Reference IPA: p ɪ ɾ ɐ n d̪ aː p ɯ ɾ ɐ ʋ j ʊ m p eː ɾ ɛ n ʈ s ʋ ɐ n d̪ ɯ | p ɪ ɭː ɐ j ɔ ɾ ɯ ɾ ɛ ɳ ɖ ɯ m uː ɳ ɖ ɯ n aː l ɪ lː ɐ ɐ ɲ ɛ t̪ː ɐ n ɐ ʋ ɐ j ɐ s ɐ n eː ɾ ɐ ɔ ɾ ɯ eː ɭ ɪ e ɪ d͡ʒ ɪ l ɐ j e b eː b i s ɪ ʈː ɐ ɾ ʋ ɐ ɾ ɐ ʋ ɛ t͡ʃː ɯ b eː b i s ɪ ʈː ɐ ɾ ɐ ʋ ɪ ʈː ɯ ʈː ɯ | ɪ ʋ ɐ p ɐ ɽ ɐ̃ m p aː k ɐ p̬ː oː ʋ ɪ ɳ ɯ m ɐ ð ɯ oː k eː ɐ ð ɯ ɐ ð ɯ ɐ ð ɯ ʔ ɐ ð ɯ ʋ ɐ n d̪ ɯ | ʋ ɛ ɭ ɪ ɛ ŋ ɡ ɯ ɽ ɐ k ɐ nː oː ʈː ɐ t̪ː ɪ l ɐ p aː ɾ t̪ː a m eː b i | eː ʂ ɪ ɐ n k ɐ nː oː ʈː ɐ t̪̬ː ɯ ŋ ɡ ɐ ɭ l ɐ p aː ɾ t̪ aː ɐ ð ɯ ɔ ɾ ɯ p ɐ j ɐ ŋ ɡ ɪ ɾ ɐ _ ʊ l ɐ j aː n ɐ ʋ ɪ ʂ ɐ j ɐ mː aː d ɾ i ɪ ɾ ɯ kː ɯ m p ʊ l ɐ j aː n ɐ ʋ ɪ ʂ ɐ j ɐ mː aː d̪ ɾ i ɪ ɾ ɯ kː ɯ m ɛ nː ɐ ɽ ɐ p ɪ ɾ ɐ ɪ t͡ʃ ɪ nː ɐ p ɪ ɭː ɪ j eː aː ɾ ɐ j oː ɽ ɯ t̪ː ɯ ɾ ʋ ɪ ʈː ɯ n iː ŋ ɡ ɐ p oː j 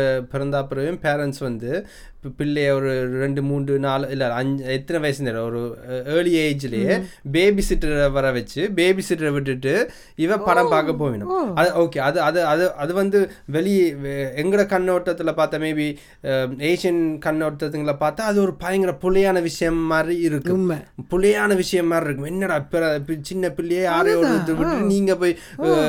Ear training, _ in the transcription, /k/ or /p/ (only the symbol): p